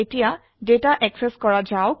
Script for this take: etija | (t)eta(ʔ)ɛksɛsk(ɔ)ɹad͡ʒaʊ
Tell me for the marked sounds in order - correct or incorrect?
incorrect: d, correct, correct

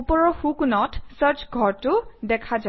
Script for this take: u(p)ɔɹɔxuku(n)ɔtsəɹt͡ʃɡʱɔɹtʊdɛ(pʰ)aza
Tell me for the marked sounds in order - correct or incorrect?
correct, correct, incorrect: kʰ

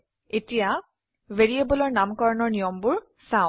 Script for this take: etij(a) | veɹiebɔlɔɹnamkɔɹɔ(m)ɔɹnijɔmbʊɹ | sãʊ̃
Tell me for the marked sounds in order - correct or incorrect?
correct, incorrect: n

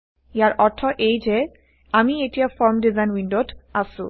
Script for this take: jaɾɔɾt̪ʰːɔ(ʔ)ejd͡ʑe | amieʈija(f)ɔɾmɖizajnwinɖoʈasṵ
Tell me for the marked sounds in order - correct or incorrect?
correct, correct

